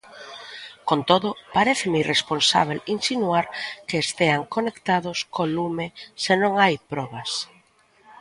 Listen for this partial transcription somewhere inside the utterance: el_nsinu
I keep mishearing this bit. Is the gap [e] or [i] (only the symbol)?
i